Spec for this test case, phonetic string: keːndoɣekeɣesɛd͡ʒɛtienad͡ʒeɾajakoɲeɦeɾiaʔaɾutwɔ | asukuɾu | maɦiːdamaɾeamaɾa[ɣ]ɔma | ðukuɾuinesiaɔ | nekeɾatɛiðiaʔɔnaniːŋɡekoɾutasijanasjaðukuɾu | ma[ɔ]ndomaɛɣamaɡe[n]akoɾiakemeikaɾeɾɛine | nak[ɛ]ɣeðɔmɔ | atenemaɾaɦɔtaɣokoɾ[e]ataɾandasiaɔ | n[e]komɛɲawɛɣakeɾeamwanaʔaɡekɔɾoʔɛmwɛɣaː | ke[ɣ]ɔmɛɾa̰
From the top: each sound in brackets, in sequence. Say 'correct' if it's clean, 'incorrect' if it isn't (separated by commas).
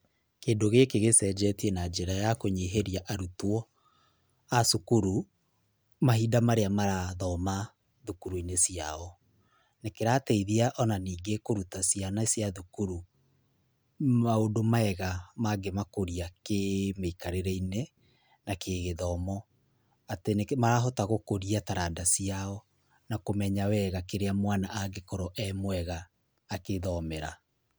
incorrect, incorrect, incorrect, incorrect, incorrect, incorrect, incorrect